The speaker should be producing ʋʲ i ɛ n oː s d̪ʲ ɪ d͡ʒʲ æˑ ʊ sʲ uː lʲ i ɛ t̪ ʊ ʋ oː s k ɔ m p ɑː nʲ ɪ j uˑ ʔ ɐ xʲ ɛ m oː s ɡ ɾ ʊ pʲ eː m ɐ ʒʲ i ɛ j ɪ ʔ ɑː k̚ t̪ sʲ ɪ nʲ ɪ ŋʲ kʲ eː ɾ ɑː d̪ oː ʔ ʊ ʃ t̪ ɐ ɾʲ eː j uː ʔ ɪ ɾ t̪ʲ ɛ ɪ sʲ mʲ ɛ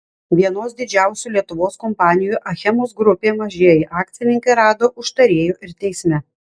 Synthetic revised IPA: ʋʲ i ɛ n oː s d̪ʲ ɪ d͡ʒʲ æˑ ʊ sʲ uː lʲ i ɛ t̪ ʊ ʋ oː s k ɔ m p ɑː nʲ ɪ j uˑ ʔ ɐ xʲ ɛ m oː s ɡ ɾ ʊ pʲ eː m ɐ ʒʲ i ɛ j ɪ ʔ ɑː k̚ t̪ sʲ ɪ nʲ ɪ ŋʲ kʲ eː ɾ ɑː d̪ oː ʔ ʊ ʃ t̪ ɐ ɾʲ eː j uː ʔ ɪ ɾ t̪ʲ ɛ ɪ sʲ mʲ ɛ